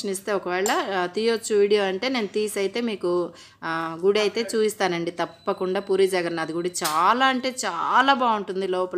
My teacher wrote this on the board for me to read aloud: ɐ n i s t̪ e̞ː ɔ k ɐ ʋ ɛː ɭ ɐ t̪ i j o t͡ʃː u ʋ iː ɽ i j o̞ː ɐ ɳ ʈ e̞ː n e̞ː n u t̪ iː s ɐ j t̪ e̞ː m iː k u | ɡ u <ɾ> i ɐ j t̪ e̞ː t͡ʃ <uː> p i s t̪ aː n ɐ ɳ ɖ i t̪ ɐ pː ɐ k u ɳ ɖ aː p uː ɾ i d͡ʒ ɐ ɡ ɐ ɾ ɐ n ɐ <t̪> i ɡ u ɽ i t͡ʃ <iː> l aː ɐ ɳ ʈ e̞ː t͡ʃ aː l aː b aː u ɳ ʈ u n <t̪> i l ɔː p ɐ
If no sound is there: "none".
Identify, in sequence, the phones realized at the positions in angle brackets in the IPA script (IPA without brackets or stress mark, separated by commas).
ɽ, uː, d̪, aː, d̪